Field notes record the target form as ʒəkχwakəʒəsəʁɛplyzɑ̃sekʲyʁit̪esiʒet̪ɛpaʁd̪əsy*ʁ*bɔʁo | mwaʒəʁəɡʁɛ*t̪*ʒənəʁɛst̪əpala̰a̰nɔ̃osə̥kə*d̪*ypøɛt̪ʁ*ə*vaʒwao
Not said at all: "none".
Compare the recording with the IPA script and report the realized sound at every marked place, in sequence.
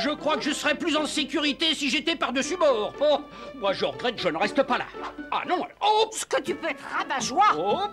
none, t̪, t̪, a

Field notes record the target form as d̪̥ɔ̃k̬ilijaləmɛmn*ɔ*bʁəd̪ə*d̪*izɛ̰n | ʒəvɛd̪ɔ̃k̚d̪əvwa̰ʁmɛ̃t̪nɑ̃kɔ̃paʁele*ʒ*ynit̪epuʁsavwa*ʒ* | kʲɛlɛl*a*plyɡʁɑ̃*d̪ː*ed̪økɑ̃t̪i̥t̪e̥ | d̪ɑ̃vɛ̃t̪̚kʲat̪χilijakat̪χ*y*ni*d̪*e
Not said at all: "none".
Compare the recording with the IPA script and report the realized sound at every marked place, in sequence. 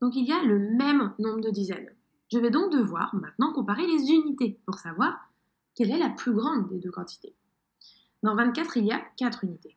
ɔ̃, d̪, z, ʁ, a, d̪ː, y, t̪

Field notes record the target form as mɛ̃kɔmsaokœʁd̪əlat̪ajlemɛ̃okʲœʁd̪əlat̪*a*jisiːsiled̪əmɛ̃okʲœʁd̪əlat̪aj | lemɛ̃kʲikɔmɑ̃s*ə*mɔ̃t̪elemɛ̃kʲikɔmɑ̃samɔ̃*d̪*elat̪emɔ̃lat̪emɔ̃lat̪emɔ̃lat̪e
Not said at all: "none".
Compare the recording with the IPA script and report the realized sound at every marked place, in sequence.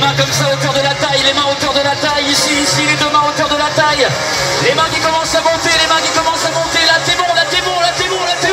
a, a, t̪

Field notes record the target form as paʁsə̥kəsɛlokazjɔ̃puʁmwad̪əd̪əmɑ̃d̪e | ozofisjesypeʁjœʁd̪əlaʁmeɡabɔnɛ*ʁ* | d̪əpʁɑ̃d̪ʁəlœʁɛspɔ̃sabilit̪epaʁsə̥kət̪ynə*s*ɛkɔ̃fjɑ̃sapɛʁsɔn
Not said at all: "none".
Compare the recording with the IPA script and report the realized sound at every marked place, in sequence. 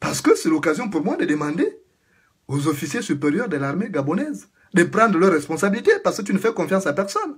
z, f

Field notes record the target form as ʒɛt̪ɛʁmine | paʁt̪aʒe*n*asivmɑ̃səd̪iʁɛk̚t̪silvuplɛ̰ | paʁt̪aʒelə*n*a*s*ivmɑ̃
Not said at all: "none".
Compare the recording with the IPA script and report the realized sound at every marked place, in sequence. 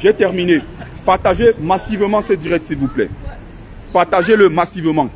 m, m, s

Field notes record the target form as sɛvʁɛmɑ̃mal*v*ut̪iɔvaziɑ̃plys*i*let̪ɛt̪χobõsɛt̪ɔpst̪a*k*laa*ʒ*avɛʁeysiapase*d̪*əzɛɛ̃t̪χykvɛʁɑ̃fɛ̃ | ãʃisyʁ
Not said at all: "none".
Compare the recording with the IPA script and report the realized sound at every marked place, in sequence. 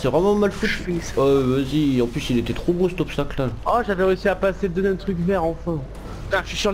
f, i, k, ʒ, d̪

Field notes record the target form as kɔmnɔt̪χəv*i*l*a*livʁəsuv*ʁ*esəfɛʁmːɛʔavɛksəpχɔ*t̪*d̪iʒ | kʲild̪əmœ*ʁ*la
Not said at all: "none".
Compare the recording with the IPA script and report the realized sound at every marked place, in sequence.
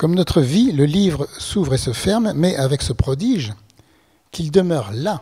i, ə, ʁ, none, ʁ

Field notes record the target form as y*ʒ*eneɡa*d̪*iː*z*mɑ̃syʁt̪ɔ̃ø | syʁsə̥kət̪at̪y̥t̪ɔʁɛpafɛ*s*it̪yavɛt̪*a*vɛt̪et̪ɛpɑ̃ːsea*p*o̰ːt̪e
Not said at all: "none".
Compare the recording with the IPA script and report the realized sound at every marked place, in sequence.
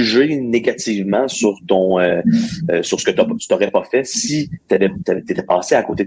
ʒ, t̪, v, s, a, k

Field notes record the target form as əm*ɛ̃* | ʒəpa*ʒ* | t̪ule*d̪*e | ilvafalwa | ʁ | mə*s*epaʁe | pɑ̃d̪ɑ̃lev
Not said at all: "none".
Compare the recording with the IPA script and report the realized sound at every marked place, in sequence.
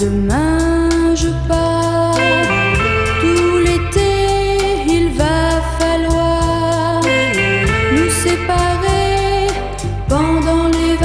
ɛ̃, none, t̪, s

